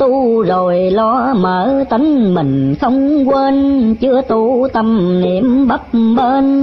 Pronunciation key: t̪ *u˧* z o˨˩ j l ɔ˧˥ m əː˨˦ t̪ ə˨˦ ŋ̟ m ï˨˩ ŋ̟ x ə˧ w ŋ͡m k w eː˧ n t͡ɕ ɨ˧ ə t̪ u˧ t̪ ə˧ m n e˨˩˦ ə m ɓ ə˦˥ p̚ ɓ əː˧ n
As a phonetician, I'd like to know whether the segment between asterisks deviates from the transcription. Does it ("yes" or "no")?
no